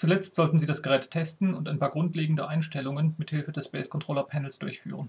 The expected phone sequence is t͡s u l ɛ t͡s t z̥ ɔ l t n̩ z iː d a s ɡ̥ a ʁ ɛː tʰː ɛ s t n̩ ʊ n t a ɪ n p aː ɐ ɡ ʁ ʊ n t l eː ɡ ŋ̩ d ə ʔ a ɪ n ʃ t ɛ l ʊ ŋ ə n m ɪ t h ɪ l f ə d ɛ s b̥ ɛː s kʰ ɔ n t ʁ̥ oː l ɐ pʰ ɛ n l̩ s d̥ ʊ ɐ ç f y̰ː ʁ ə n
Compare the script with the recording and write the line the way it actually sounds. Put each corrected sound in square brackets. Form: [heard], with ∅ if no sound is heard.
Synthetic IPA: t͡s u l ɛ t͡s t z̥ ɔ l t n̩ z iː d a s ɡ̥ [ə] ʁ ɛː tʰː ɛ s t n̩ ʊ n t a ɪ n p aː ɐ ɡ ʁ ʊ n t l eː ɡ ŋ̩ d ə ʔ a ɪ n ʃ t ɛ l ʊ ŋ ə n m ɪ t h ɪ l f ə d ɛ s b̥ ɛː s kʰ ɔ n t ʁ̥ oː l ɐ pʰ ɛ n l̩ s d̥ ʊ ɐ ç f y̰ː ʁ ə n